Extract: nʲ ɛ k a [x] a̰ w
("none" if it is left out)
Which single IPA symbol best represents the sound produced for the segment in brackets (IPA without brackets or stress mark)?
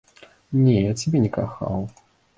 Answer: x